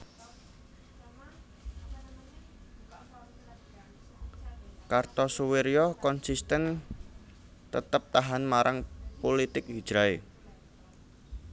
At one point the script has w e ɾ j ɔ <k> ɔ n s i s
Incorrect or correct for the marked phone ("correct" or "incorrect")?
correct